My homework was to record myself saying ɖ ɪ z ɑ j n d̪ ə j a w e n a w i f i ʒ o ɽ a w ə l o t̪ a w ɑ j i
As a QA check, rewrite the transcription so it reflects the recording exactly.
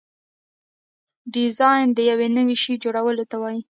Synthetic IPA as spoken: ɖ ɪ z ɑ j n d̪ ə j a w e n ə w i ʃ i d͡ʒ o ɽ a w ə l o t̪ a w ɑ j i

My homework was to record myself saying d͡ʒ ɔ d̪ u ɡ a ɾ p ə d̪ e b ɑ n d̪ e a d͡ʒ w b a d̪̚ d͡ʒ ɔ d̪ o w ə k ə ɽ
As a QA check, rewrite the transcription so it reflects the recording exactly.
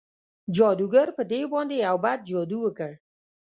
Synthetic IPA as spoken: d͡ʒ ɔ d̪ u ɡ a ɾ p ə d̪ e b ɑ n d̪ e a w b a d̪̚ d͡ʒ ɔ d̪ u w ə k ə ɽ

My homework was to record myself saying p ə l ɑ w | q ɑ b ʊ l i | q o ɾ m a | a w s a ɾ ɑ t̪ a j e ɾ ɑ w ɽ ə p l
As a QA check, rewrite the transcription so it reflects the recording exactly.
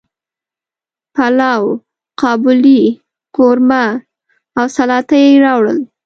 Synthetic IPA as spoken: p a l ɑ w | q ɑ b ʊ l i | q o ɾ m a | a w s a l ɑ t̪ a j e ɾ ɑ w ɽ ə l

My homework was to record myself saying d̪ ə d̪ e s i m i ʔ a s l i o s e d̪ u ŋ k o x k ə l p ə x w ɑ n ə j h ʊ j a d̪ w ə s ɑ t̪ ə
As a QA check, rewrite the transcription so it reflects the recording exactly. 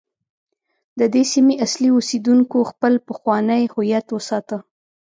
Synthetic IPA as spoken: d̪ ə d̪ e s i m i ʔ a s l i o s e d̪ u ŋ k o x p ə l p ə x w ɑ n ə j h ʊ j a t̪ w ə s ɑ t̪ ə

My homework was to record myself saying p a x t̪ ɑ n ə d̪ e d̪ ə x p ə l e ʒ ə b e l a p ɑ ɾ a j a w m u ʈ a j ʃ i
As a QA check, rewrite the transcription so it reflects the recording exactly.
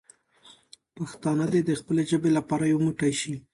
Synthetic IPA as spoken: p a x t̪ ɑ n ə d̪ e d̪ ə x p ə l e ʒ ə b e l a p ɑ ɾ a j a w m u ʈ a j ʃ i

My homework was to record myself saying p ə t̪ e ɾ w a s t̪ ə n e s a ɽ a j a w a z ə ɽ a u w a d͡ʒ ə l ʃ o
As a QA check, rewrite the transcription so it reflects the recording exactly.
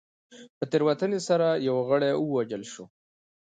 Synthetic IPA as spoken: p ə t̪ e ɾ w a t̪ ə n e s a ɾ a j a w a ɣ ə ɽ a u w a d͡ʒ ə l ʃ o

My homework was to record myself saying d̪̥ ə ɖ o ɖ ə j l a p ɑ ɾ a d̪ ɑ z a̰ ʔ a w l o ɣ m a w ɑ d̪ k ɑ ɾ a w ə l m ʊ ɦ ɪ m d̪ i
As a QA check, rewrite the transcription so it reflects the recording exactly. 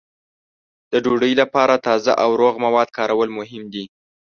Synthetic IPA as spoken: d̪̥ ə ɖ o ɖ ə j l a p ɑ ɾ a t̪ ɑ z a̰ ʔ a w ɾ o ɣ m a w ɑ d̪ k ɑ ɾ a w ə l m ʊ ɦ ɪ m d̪ i

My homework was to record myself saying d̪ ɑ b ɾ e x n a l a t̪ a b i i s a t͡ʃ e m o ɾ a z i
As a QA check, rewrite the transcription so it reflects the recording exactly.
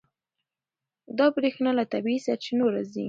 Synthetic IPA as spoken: d̪ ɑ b ɾ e x n a l a t̪ a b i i s a t͡ʃ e n o ɾ a z i

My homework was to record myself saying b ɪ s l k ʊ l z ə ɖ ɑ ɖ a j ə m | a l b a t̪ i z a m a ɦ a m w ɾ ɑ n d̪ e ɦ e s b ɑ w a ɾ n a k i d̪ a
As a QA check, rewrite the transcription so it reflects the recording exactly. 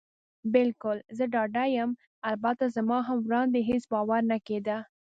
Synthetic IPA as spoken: b ɪ l k ʊ l z ə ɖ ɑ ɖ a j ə m | a l b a t̪ a z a m ɑ ɦ a m w ɾ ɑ n d̪ e ɦ e s b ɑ w a ɾ n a k e d̪ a

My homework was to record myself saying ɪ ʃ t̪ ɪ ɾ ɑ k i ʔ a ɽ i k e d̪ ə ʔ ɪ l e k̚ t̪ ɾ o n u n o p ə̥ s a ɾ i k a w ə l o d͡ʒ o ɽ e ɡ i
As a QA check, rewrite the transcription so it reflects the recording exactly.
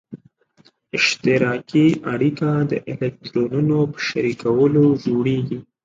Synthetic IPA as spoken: ɪ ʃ t̪ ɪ ɾ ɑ k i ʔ a ɽ i k a d̪ ə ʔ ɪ l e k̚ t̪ ɾ o n u n o p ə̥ ʃ a ɾ i k a w ə l o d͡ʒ o ɽ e ɡ i

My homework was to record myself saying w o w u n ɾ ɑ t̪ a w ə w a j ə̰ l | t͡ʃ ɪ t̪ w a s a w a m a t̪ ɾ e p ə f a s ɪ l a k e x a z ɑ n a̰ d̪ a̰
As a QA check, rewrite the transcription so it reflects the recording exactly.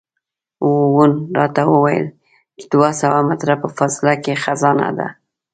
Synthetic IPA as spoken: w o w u n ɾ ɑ t̪ a w ə w a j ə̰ l | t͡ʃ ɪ d̪ w a s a w a m a t̪ ɾ a p ə f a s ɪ l a k e x a z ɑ n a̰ d̪ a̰

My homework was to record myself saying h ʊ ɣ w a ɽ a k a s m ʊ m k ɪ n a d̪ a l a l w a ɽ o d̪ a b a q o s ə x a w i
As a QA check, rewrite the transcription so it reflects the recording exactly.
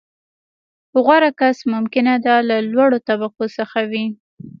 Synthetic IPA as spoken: h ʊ ɣ w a ɾ a k a s m ʊ m k ɪ n a d̪ a l a l w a ɽ o t̪ a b a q o s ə x a w i

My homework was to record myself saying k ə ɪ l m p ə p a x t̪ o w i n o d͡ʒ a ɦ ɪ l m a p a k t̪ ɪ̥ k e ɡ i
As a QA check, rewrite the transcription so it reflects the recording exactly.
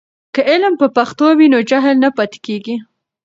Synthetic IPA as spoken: k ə ɪ l m p ə p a x t̪ o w i n o d͡ʒ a ɦ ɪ l n a p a t̪ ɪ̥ k e ɡ i

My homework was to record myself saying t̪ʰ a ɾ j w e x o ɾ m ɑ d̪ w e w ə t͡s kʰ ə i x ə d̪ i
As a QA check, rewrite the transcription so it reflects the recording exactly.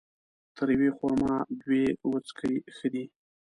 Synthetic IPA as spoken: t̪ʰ ə ɾ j w e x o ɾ m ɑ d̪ w e w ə t͡s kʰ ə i x ə d̪ i

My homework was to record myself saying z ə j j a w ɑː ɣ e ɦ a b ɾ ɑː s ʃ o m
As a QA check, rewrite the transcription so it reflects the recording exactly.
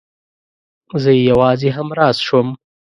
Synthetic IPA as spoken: z ə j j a w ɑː z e ɦ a m ɾ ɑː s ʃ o m

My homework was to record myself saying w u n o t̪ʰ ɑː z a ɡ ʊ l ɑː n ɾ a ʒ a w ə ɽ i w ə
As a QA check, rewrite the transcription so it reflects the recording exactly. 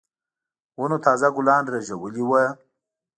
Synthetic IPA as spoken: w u n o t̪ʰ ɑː z a ɡ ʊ l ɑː n ɾ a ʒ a w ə l i w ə

